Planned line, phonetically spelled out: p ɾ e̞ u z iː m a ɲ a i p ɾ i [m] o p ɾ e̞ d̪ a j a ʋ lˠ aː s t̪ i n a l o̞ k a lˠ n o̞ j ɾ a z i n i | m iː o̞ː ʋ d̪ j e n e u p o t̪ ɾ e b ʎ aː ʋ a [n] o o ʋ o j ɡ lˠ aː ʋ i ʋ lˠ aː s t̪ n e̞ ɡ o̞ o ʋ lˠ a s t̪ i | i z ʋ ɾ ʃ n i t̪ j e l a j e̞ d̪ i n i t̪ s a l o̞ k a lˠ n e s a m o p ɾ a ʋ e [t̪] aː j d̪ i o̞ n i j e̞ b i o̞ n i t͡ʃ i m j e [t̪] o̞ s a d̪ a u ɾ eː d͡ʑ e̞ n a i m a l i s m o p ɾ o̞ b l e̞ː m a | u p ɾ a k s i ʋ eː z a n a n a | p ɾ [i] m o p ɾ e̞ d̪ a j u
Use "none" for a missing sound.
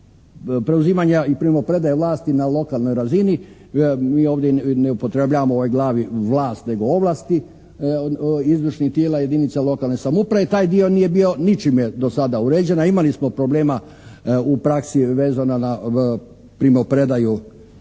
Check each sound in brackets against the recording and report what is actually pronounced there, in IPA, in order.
m, m, t̪, d̪, i

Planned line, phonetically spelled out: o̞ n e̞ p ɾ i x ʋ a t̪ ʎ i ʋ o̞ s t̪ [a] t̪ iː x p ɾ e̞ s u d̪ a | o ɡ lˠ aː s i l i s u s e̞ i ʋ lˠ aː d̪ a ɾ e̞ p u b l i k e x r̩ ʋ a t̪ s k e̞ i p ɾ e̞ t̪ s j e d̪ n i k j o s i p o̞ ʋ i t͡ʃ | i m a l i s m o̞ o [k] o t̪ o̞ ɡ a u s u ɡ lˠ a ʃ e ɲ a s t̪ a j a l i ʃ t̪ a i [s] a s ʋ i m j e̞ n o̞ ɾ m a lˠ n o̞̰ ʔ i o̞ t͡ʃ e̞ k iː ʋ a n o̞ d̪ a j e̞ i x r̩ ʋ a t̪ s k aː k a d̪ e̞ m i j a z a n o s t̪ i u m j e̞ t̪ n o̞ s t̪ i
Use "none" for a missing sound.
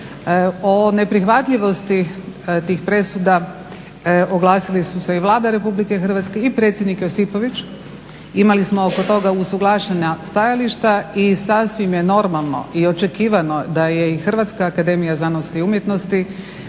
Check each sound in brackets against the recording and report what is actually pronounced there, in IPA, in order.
i, k, s

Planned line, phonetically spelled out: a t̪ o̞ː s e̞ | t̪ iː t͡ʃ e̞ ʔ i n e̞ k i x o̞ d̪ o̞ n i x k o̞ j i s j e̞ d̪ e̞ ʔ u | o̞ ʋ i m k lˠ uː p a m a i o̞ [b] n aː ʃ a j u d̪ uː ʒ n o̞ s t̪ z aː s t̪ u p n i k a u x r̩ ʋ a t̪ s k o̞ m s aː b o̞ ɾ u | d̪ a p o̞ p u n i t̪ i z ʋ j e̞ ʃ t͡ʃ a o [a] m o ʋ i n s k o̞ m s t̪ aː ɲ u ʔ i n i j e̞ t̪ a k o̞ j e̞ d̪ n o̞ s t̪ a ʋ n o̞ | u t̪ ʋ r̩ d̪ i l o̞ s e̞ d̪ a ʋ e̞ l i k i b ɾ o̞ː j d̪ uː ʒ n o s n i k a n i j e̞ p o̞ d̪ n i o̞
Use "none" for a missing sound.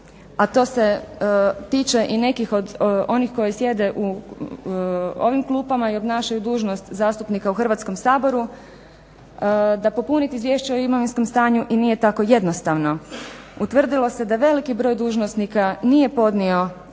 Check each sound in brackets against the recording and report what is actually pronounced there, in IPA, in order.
b, i

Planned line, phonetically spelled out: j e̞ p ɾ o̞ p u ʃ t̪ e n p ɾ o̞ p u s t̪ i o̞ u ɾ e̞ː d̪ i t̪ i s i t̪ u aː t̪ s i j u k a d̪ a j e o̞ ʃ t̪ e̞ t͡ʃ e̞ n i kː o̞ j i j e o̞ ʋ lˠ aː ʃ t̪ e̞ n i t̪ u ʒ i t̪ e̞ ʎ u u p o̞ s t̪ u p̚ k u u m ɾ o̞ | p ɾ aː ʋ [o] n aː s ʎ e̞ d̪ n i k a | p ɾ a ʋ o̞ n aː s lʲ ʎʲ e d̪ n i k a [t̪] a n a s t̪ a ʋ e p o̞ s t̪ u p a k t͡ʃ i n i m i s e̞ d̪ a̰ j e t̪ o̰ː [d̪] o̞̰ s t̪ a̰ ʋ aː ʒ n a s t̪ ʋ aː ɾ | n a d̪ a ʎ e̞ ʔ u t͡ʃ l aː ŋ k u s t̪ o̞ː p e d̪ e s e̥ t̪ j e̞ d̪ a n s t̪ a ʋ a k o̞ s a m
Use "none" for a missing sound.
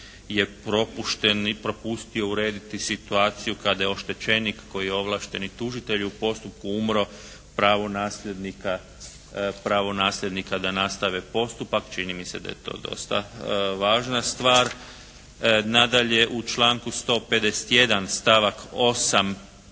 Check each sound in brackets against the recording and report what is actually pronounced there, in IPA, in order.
o, d̪, d̪

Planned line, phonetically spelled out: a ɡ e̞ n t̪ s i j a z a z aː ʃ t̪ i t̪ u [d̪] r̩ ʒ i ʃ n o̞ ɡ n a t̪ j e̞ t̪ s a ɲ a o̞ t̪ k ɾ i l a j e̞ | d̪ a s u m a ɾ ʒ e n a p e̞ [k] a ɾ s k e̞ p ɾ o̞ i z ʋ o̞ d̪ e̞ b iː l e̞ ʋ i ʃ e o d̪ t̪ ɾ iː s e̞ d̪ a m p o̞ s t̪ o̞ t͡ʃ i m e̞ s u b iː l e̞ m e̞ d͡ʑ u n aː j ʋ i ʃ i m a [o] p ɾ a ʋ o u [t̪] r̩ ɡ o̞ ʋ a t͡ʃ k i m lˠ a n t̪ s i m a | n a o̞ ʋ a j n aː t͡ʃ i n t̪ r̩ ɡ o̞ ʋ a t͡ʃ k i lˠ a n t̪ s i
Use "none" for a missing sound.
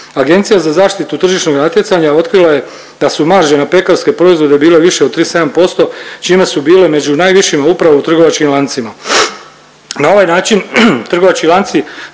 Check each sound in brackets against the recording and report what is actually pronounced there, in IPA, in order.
t̪, k, u, t̪

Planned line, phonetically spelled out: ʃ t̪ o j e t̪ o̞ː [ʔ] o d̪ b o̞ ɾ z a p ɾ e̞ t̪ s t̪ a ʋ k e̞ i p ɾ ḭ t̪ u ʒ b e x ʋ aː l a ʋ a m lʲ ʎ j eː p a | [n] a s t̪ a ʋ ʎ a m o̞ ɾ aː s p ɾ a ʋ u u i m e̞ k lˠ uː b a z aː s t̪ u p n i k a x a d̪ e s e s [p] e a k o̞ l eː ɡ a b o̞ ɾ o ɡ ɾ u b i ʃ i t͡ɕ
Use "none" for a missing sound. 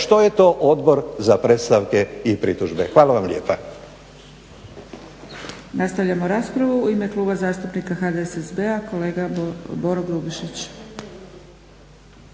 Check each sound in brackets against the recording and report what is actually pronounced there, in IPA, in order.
ʔ, n, b

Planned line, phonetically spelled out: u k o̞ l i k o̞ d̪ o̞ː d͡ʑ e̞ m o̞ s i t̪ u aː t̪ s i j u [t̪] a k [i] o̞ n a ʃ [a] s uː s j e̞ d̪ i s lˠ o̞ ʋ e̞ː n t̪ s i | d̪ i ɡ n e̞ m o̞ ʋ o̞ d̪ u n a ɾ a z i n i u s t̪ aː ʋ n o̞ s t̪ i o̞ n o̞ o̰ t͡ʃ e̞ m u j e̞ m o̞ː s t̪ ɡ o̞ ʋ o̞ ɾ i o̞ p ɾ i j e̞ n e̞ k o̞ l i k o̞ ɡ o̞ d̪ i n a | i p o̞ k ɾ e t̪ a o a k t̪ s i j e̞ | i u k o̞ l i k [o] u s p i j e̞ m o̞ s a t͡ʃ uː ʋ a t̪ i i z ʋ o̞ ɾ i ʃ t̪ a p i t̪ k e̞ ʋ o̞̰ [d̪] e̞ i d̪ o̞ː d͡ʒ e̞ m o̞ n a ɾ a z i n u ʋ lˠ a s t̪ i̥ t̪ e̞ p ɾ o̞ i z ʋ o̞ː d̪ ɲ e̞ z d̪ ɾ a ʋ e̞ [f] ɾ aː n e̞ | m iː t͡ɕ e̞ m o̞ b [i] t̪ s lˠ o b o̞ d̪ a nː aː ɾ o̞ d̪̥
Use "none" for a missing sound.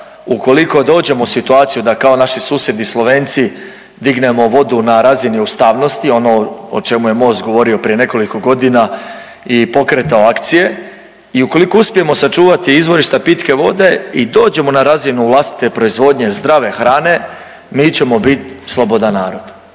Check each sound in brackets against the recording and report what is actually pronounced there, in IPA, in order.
d̪, a, i, o, d̪, x, i

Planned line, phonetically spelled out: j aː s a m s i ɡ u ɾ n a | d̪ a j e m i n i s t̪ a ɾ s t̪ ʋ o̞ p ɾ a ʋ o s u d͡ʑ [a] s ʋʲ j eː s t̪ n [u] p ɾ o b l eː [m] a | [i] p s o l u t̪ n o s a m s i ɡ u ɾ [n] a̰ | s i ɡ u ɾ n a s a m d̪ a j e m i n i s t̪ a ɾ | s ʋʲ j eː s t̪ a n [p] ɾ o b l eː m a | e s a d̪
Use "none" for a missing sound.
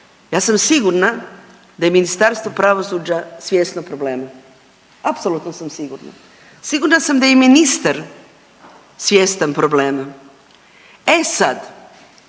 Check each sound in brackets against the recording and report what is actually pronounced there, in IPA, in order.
a, o, m, a, n, p

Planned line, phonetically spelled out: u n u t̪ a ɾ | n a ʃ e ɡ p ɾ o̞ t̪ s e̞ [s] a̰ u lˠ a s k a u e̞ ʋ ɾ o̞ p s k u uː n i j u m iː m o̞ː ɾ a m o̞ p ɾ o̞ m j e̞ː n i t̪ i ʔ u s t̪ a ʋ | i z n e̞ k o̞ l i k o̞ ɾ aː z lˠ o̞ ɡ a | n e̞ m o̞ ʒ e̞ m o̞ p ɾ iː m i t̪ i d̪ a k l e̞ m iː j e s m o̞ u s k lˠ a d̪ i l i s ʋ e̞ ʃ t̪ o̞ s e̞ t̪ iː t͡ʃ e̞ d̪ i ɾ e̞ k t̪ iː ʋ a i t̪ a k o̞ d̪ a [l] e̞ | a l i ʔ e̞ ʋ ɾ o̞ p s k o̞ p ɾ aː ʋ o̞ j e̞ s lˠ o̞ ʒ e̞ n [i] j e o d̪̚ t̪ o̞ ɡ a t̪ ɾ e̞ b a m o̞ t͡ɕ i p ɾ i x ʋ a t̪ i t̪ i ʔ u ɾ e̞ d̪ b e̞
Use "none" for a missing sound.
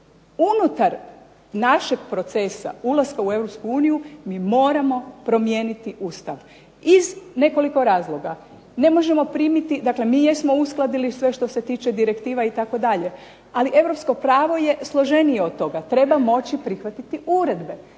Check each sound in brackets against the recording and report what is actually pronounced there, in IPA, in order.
s, ʎ, i

